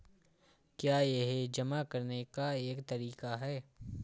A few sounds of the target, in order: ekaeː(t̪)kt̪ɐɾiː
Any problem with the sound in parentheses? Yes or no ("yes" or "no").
yes